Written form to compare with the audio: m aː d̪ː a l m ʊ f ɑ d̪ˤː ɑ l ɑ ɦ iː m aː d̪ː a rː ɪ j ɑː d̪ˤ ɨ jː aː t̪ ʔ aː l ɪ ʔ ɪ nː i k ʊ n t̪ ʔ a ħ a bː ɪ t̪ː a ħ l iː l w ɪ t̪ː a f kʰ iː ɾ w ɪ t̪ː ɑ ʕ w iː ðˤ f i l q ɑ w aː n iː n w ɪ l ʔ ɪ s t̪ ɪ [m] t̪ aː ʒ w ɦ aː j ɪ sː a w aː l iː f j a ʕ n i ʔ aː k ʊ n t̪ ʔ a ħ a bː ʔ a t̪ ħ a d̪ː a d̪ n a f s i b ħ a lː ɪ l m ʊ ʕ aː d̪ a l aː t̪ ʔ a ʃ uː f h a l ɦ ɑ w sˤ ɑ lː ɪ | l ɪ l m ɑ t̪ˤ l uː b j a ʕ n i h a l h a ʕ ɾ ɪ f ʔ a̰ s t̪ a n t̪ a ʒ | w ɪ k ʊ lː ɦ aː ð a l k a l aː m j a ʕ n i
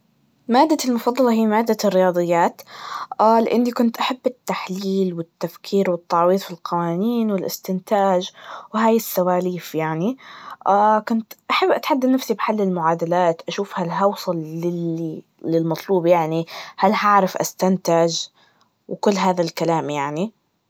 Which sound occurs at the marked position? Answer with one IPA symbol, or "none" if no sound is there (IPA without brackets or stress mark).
n